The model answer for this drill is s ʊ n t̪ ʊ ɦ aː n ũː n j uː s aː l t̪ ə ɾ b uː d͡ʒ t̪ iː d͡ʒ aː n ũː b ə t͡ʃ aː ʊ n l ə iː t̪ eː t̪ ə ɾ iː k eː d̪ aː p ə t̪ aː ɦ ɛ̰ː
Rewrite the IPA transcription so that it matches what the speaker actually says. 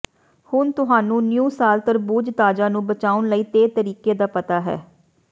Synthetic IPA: h ʊ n t̪ ʊ ɦ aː n ũː n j uː s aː l t̪ ə ɾ b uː d͡ʒ t̪ aː d͡ʒ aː n ũː b ə t͡ʃ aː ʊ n l ə iː t̪ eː t̪ ə ɾ iː k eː d̪ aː p ə t̪ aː ɦ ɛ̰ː